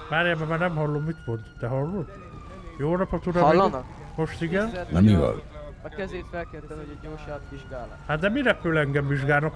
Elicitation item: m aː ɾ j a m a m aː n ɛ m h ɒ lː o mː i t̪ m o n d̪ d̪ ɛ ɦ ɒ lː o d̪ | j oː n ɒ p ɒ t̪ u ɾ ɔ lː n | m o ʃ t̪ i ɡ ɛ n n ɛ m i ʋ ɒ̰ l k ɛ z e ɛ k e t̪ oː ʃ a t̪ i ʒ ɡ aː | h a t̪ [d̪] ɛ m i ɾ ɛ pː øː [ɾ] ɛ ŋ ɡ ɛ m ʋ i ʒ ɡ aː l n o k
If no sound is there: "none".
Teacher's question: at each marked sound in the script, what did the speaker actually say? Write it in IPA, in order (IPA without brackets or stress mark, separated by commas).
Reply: d̪, l